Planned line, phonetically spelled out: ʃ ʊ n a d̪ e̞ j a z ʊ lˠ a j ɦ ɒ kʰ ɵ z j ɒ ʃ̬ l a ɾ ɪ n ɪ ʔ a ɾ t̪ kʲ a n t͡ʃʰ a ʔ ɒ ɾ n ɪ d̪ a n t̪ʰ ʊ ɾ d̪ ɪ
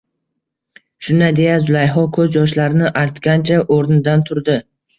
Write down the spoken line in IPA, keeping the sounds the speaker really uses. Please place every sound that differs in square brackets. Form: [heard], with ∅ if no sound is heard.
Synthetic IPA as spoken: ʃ ʊ n a d̪ e̞ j a z ʊ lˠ a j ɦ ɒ kʰ ɵ z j ɒ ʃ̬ l a ɾ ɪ n ɪ ʔ a ɾ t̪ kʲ a n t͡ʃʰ a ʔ [o] ɾ n ɪ d̪ a n t̪ʰ ʊ ɾ d̪ ɪ